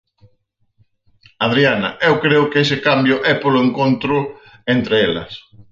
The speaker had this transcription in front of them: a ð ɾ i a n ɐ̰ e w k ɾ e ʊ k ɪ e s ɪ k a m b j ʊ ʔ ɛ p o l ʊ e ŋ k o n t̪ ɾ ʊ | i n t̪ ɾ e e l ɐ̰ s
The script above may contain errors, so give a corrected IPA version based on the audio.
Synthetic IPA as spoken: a ð ɾ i a n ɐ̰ e w k ɾ e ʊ k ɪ e s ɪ k a m b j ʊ ʔ ɛ p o l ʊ e ŋ k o n t̪ ɾ ʊ | e n t̪ ɾ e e l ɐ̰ s